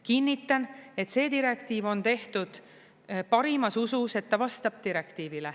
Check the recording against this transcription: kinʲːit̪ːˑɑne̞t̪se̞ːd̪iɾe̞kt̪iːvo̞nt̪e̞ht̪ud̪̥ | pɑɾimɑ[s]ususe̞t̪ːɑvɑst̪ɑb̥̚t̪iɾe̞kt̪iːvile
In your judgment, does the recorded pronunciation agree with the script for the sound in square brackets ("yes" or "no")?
yes